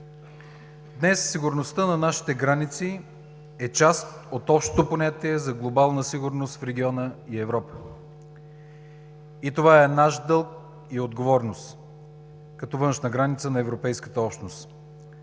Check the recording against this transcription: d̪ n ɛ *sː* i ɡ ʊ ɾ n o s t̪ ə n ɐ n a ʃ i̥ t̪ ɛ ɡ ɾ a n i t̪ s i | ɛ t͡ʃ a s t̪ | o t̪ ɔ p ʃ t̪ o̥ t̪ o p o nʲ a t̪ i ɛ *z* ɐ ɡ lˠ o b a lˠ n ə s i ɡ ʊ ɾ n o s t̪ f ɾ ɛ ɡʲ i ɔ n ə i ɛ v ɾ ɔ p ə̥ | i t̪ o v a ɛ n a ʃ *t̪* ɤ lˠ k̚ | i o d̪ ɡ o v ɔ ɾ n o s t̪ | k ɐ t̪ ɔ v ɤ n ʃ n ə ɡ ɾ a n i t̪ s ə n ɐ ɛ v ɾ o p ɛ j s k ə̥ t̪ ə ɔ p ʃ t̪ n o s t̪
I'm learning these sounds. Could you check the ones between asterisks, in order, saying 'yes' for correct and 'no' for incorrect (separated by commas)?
yes, yes, no